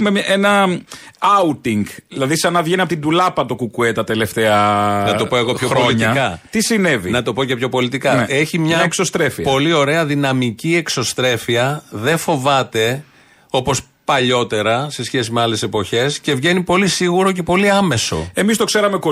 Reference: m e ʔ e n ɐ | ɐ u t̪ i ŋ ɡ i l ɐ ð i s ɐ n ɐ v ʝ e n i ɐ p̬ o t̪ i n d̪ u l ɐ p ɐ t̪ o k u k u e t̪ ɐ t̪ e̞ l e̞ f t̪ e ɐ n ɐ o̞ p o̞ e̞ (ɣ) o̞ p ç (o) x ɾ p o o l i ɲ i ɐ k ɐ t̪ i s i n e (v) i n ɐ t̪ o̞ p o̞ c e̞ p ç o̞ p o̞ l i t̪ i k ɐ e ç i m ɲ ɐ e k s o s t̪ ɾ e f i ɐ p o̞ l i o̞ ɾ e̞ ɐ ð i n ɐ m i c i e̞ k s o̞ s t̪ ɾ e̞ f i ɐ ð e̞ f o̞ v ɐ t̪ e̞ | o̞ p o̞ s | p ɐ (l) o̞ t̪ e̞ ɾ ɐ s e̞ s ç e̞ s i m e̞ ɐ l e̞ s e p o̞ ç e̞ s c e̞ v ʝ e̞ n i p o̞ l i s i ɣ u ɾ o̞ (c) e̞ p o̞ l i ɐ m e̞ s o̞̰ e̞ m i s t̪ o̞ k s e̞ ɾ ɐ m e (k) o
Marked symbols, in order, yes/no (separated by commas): yes, yes, yes, no, yes, yes